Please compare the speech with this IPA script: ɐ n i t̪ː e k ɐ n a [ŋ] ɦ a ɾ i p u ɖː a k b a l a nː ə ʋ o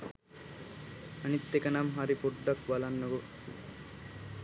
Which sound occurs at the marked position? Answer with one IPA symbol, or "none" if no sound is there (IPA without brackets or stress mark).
m